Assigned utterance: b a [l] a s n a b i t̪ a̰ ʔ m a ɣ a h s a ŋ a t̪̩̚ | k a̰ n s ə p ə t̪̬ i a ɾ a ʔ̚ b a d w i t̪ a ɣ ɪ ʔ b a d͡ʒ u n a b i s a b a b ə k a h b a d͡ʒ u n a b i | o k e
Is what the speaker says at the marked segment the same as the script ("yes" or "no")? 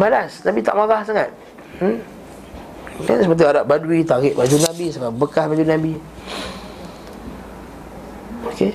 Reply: yes